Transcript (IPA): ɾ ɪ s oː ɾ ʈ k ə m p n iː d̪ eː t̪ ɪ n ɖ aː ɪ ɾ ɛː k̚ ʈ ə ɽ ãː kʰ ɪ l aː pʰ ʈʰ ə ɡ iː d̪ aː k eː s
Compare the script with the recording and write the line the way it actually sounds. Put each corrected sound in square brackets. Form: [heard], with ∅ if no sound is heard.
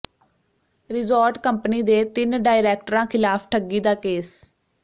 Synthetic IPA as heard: ɾ ɪ [z] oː ɾ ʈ k ə m p n iː d̪ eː t̪ ɪ n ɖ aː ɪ ɾ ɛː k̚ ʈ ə [ɾ] ãː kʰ ɪ l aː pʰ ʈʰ ə ɡ iː d̪ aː k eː s